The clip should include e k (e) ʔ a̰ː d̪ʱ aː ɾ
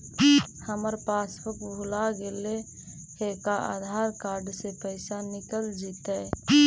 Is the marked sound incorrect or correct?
incorrect: a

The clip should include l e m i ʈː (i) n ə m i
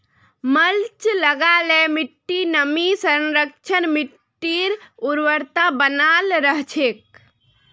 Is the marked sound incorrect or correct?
correct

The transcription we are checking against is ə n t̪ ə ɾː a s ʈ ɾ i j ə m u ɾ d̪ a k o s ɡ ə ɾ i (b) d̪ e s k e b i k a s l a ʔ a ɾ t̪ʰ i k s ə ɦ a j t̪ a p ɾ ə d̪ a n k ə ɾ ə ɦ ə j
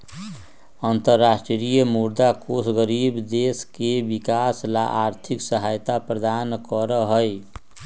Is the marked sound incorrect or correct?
correct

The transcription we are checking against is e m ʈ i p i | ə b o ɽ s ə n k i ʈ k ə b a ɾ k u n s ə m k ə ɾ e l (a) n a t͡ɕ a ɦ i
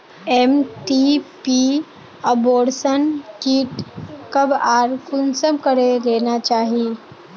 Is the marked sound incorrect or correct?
incorrect: e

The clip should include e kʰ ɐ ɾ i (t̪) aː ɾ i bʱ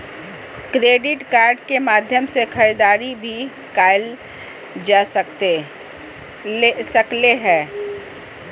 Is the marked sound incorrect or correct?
incorrect: d̪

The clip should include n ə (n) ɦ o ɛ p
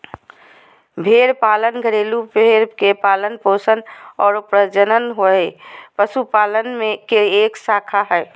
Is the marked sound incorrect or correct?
correct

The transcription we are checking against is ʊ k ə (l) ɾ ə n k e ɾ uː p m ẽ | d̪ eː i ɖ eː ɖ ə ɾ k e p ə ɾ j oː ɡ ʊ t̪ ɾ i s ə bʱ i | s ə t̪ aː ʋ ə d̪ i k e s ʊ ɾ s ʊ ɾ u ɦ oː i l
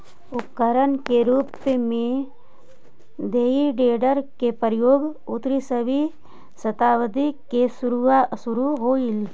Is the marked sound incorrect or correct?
incorrect: none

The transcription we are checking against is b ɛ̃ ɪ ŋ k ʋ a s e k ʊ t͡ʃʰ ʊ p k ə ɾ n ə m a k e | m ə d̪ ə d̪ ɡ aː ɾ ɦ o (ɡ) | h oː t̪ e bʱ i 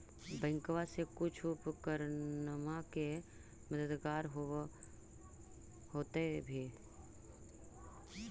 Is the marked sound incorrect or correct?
incorrect: none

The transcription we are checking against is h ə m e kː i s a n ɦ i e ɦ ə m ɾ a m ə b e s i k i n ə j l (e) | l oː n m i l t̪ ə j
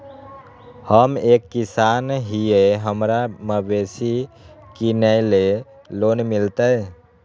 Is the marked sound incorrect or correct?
correct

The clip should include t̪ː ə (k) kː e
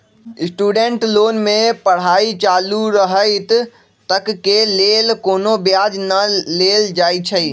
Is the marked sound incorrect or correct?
correct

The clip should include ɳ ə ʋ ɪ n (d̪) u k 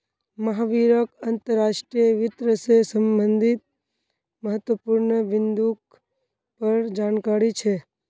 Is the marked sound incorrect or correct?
correct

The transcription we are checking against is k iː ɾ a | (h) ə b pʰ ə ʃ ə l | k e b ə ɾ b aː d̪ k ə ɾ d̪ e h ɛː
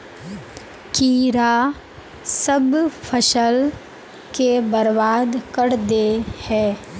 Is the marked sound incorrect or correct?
incorrect: s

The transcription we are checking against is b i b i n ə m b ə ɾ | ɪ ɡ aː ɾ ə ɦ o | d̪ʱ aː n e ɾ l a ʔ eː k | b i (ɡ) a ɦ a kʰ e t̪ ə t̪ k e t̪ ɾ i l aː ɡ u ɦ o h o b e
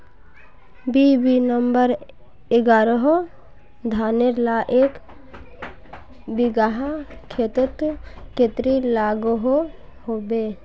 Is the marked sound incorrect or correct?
correct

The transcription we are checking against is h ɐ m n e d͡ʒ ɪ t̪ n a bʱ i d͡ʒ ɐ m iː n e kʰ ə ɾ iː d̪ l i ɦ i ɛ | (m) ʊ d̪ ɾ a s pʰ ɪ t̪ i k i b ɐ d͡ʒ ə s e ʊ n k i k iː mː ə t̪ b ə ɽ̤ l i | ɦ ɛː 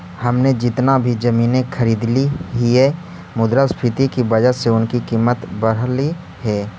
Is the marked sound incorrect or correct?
correct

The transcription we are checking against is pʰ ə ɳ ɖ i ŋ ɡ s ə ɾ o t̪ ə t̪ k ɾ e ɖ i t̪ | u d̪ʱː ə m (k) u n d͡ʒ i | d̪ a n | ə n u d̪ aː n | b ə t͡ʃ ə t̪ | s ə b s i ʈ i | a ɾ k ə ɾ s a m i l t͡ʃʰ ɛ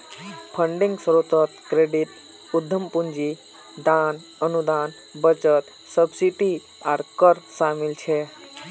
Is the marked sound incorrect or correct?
incorrect: p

